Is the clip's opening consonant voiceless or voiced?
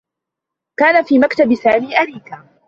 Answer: voiceless